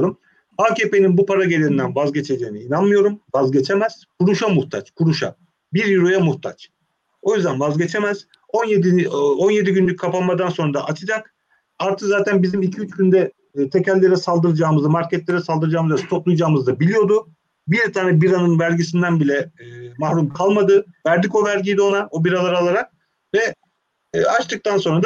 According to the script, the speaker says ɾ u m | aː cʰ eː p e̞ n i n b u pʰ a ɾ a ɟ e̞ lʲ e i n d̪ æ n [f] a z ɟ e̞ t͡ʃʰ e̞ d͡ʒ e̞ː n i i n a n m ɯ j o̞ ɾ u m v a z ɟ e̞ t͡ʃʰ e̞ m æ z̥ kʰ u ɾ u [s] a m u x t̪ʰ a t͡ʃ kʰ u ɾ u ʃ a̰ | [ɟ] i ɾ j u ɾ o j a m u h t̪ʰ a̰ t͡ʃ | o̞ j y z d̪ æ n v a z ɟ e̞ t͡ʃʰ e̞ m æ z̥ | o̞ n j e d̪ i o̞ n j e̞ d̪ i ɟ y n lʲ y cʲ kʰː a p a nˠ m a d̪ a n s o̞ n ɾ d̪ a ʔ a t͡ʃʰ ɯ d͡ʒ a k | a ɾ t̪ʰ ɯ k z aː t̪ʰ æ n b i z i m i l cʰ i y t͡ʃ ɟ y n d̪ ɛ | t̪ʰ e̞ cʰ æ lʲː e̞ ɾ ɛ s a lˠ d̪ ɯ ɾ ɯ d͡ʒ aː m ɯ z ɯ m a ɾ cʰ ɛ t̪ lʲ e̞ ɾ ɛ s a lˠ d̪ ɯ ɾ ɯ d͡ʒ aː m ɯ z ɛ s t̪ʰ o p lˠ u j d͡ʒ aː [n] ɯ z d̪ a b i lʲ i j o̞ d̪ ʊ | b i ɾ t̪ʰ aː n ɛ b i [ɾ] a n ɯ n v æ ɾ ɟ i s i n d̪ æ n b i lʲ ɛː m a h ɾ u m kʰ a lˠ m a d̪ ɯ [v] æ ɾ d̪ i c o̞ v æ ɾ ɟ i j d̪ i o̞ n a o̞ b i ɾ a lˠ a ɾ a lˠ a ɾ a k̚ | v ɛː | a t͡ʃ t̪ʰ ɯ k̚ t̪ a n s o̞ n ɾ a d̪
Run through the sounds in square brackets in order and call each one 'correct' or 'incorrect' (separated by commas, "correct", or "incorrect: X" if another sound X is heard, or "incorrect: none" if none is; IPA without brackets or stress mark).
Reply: incorrect: v, incorrect: ʃ, incorrect: b, incorrect: m, correct, correct